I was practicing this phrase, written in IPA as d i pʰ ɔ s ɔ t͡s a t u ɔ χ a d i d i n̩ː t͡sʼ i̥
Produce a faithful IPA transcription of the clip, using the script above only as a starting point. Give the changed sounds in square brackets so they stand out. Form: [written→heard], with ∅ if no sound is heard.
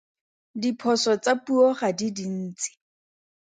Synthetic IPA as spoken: d i pʰ ɔ s ɔ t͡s a [t→p] u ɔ χ a d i d i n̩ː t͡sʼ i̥